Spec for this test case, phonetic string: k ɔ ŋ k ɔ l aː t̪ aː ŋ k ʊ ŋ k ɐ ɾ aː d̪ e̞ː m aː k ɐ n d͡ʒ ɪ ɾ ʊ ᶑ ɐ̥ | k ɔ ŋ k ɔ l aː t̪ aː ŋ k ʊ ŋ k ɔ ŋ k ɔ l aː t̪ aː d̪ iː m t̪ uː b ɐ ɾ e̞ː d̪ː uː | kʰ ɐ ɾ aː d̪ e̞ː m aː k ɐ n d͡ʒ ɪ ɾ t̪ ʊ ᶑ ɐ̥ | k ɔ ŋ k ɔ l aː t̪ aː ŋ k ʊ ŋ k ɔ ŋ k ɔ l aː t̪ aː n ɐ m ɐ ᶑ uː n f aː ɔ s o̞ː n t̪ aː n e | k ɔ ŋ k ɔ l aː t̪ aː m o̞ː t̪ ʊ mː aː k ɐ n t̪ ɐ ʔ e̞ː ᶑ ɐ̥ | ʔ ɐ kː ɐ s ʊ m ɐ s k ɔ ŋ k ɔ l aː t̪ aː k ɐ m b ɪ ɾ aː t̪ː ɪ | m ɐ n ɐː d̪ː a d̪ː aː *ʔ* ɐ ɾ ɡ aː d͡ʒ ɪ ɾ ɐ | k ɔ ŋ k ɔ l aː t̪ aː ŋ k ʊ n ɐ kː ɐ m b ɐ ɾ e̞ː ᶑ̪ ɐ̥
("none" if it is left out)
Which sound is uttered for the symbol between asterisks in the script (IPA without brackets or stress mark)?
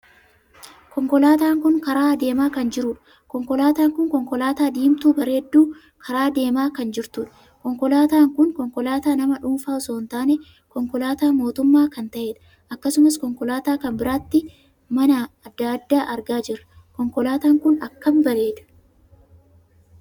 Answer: ʔ